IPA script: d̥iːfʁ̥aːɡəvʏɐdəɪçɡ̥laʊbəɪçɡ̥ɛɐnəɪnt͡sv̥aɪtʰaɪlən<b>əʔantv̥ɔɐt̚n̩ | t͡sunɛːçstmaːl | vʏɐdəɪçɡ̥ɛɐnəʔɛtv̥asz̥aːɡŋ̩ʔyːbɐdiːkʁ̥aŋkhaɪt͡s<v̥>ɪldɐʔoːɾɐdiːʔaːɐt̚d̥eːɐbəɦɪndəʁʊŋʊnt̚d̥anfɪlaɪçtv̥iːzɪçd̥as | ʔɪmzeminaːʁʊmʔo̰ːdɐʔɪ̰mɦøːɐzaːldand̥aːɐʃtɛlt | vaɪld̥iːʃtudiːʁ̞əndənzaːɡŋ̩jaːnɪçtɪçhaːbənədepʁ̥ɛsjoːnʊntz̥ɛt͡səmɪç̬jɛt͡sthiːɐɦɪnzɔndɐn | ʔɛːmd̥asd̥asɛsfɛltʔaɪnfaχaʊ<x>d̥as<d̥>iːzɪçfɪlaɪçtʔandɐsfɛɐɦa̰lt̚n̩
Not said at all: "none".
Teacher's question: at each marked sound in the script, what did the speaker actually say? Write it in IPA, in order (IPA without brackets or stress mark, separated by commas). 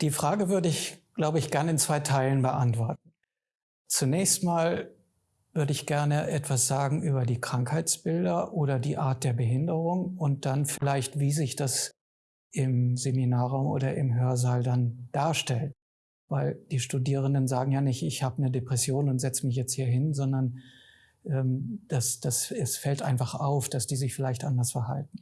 b, b̥, f, d̥